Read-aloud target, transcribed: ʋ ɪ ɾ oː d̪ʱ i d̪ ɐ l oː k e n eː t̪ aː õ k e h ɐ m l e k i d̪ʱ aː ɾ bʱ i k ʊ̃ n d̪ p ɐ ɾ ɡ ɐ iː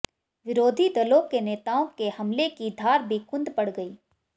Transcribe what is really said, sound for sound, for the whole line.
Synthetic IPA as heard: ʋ ɪ ɾ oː d̪ʱ i d̪ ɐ l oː k e n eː t̪ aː õ k e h ɐ m l e k i d̪ʱ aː ɾ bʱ i k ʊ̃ n d̪ p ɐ ɽ ɡ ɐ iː